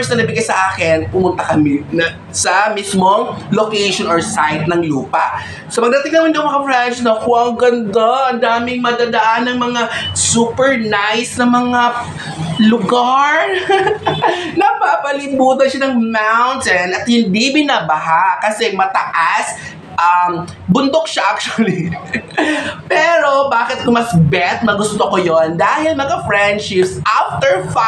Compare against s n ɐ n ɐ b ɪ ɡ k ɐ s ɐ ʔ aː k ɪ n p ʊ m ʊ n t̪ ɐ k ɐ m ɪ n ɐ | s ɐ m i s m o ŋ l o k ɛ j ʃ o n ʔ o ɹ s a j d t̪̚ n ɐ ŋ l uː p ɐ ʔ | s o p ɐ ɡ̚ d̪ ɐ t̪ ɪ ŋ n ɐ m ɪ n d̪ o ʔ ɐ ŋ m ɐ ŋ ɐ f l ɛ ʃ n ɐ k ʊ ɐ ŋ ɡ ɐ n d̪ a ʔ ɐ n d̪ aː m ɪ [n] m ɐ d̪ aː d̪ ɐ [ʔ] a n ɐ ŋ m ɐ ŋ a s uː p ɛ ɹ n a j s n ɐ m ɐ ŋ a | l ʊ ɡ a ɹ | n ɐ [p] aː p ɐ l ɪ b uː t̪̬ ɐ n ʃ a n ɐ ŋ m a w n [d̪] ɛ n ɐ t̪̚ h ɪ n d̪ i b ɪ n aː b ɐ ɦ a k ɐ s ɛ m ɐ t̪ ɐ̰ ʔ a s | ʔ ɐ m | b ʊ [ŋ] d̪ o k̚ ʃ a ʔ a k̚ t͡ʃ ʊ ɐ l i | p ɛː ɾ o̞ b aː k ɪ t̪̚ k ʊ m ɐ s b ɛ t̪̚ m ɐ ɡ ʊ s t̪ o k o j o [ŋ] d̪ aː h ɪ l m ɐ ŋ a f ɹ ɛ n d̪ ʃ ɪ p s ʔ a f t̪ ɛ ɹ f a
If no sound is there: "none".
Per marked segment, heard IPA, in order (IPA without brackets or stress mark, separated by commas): ŋ, ʔ, p, t̪, n, n